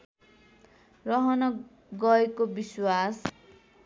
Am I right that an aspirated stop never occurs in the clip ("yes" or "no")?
yes